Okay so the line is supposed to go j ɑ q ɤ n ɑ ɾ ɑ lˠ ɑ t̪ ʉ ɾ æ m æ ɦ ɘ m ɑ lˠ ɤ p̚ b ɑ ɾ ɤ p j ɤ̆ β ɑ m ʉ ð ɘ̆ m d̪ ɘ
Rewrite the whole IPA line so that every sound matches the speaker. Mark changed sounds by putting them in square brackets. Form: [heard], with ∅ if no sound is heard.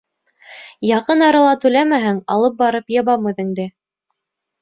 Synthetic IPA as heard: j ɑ q ɤ n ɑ ɾ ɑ lˠ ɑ t̪ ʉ [l] æ m æ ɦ ɘ [ŋ] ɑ lˠ ɤ p̚ b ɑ ɾ ɤ p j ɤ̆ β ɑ m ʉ ð ɘ̆ [ŋ] d̪ ɘ